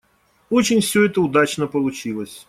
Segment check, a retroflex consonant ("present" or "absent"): absent